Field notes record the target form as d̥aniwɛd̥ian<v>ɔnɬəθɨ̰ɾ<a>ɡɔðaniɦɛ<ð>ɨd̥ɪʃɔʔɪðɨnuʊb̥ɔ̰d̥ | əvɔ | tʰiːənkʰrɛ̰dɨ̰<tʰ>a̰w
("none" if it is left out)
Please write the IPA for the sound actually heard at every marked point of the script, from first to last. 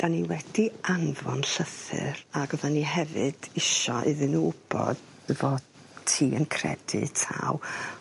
v, a, v, tʰ

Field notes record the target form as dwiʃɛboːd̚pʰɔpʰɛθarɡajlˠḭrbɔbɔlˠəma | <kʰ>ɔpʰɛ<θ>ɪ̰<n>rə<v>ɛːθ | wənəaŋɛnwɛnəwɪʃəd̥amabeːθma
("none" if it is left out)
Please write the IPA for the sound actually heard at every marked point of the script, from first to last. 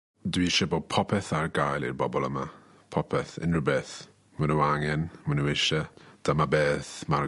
pʰ, θ, n, b

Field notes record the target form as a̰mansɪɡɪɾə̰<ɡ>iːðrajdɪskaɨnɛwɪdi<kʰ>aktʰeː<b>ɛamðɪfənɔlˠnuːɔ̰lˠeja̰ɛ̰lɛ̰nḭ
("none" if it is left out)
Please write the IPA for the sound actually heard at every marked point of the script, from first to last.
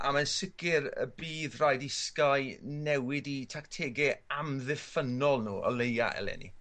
b, tʰ, ɡ

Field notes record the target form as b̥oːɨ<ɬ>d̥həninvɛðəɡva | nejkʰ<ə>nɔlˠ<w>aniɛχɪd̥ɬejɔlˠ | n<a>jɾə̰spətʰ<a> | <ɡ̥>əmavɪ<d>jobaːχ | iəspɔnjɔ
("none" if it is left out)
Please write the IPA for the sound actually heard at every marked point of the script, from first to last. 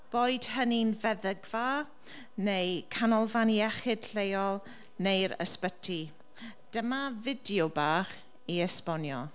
none, a, v, e, i, d̥, d

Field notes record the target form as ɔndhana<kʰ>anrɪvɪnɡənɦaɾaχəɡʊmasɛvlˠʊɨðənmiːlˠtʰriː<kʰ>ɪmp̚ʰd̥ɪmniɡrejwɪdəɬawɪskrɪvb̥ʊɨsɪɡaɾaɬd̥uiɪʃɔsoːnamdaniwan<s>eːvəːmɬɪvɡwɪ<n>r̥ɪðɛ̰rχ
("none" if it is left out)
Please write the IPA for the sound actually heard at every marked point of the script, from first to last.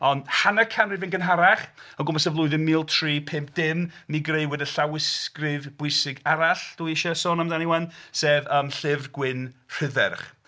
kʰ, pʰ, s, n

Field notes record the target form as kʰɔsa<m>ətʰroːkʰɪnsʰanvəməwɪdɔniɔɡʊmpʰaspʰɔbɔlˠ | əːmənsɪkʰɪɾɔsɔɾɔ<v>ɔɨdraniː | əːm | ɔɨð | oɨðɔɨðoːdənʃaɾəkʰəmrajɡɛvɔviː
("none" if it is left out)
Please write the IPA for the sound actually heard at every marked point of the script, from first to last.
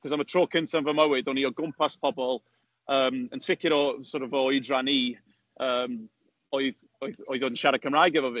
m, v

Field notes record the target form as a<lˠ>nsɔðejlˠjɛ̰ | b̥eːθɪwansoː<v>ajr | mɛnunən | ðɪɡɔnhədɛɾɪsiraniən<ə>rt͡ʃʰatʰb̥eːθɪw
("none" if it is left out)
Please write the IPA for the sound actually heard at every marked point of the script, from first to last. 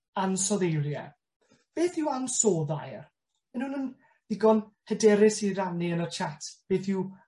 none, ð, ə

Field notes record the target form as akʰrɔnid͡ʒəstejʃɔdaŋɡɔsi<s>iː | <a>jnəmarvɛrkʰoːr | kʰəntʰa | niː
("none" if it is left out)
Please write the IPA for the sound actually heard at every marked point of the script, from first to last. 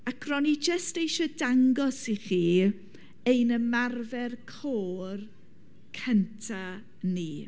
χ, e

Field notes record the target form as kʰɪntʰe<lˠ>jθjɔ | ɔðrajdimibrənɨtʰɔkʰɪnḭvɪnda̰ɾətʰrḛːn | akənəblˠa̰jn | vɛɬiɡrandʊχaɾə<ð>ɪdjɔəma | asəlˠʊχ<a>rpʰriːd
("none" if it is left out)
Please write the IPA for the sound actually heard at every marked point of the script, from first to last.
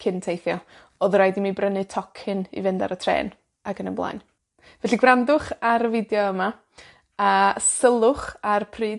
none, v, a

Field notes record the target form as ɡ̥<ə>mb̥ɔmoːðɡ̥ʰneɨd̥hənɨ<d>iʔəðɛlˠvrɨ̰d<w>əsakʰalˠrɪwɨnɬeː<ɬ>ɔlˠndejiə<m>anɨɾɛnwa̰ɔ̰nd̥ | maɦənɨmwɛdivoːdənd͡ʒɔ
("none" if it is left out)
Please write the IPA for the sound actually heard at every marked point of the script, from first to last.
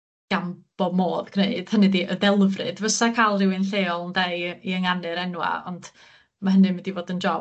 a, d, v, none, ŋ

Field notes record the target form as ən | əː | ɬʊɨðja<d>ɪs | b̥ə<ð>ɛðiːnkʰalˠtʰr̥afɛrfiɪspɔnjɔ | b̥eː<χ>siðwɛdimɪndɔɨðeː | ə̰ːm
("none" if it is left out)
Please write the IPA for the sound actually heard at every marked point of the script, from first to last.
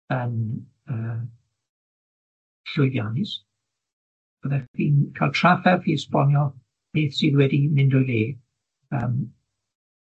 n, ð, θ

